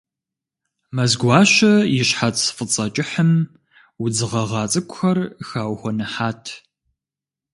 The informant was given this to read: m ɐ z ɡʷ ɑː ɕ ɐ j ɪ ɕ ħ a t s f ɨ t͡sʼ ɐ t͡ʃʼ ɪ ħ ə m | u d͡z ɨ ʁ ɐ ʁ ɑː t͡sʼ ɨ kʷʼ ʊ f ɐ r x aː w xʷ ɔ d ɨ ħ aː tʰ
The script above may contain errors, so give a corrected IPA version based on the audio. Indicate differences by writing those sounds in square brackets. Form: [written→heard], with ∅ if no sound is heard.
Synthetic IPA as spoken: m ɐ z ɡʷ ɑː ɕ ɐ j ɪ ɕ ħ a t s f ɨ t͡sʼ ɐ t͡ʃʼ ɪ ħ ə m | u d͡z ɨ ʁ ɐ ʁ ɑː t͡sʼ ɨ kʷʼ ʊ [f→x] ɐ r x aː w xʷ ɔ [d→n] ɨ ħ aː tʰ